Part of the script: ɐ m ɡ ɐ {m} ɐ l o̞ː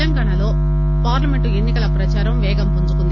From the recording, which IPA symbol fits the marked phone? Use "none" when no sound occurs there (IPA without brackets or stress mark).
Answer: ɳ